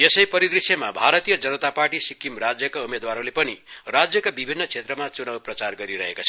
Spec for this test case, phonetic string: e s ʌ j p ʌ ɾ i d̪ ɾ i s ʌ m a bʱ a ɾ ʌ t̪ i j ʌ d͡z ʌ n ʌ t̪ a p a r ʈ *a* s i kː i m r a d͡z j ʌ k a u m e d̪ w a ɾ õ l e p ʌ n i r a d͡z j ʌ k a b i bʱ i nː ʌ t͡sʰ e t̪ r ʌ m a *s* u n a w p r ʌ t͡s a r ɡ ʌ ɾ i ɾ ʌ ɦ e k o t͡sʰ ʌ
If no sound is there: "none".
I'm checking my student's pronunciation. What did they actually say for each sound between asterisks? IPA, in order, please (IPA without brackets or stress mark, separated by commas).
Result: i, t͡s